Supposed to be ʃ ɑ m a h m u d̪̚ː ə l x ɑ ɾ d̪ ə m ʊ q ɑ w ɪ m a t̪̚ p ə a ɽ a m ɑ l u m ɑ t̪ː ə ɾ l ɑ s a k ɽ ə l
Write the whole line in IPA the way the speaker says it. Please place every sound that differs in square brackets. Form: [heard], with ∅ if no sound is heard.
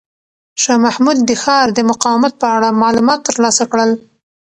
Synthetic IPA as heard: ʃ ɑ m a h m u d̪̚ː ə [∅] x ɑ ɾ d̪ ə m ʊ q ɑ w ɪ m a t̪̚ p ə a ɽ a m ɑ l u m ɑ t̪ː ə ɾ l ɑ s a k ɽ ə l